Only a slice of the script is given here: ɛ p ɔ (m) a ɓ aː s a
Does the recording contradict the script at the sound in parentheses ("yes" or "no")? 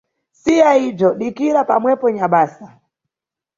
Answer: yes